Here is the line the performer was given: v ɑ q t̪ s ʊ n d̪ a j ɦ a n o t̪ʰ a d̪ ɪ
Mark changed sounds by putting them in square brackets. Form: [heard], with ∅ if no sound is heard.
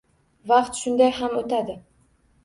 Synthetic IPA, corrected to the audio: v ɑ q t̪ [ʃ] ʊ n d̪ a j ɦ a [m] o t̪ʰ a d̪ ɪ